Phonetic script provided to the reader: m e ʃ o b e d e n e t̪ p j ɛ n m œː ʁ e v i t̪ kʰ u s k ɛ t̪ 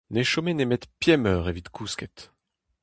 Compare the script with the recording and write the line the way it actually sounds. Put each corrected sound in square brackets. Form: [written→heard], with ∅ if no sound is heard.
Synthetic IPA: [m→n] e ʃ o [b→m] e [d→n] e [n→m] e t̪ p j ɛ [n→∅] m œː ʁ e v i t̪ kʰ u s k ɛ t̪

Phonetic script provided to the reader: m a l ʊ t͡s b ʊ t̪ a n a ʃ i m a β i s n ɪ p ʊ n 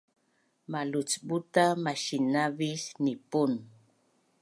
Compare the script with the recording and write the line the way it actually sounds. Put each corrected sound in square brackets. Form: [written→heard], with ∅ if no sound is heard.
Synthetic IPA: m a l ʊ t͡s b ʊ t̪ a [n→m] a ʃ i [m→n] a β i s n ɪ p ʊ n

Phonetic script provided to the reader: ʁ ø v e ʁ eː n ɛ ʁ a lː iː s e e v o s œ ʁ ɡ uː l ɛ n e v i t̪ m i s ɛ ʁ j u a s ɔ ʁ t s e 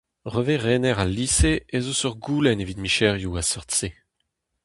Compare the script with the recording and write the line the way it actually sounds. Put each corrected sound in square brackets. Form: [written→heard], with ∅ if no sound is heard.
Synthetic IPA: ʁ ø v e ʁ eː n ɛ ʁ a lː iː s e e [v→z] o s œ ʁ ɡ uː l ɛ n e v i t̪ m i [s→ʃ] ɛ ʁ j u a s ɔ ʁ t s e

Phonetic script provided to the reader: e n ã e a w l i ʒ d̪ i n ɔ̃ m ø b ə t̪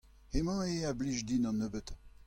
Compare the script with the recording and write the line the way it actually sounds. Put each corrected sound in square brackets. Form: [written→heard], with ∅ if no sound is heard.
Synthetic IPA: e [n→m] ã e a [w→b] l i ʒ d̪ i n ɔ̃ [m→n] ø b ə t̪

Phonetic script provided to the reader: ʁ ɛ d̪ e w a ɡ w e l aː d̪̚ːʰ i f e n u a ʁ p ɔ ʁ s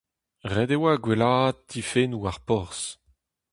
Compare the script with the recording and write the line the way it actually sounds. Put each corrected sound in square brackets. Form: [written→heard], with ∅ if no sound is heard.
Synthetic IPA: ʁ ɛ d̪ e w a ɡ w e l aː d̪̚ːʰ i f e n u a ʁ p ɔ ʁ s

